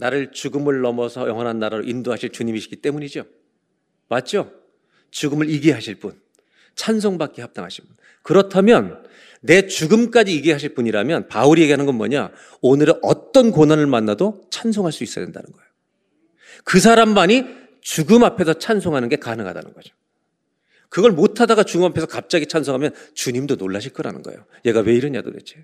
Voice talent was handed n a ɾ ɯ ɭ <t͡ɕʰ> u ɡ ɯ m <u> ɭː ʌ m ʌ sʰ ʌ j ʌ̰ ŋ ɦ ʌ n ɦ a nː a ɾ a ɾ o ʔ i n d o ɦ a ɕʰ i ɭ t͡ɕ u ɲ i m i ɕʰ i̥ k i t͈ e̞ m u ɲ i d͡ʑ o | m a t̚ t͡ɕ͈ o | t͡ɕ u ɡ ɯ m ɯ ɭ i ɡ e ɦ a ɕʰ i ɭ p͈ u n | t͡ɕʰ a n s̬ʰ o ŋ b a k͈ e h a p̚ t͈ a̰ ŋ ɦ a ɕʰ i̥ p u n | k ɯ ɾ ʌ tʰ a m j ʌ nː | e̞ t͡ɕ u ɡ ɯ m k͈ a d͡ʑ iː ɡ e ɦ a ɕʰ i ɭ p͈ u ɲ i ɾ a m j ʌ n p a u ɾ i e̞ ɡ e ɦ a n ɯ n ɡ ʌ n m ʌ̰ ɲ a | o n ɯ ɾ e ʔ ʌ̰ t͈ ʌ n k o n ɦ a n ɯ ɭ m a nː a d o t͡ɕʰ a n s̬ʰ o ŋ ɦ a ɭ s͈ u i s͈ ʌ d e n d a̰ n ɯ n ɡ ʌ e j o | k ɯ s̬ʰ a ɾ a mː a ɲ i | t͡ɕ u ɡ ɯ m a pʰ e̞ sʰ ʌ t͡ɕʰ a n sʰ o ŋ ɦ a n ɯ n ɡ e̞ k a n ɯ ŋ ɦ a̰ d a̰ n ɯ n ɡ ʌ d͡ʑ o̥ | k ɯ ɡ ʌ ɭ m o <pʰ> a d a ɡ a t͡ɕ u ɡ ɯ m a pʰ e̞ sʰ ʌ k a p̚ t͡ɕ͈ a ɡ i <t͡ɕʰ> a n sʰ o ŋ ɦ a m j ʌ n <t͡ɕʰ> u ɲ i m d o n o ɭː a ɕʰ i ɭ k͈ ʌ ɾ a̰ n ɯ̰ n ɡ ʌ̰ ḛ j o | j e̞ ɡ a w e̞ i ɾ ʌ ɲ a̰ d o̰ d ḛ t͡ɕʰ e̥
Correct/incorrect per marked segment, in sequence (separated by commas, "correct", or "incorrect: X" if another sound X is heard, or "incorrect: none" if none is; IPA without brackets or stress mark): incorrect: t͡ɕ, incorrect: ɯ, incorrect: tʰ, correct, incorrect: t͡ɕ